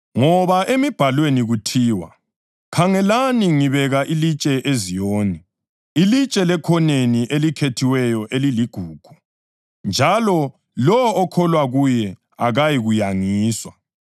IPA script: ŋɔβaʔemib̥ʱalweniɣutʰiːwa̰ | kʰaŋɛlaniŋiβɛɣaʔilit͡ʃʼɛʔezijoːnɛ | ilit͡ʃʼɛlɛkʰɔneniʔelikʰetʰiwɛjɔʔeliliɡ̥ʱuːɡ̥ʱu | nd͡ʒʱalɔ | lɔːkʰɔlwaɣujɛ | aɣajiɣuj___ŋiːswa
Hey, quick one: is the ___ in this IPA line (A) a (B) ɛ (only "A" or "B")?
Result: A